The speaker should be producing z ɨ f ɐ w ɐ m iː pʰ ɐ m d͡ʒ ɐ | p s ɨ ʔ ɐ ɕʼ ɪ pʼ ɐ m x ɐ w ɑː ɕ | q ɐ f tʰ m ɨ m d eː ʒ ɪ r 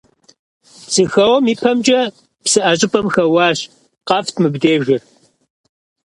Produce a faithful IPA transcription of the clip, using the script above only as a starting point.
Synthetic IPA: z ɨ x ɐ w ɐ m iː pʰ ɐ m d͡ʒ ɐ | p s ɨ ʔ ɐ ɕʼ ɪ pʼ ɐ m x ɐ w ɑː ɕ | q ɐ f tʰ m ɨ b d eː ʒ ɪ r